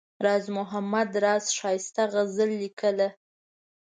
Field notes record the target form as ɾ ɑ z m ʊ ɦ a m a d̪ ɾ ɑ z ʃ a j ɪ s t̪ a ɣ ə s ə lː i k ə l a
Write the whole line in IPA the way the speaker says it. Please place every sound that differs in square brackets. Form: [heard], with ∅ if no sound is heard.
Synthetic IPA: ɾ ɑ z m ʊ ɦ a m a d̪ ɾ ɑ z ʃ [ɑ] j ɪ s t̪ a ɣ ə [z] ə lː i k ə l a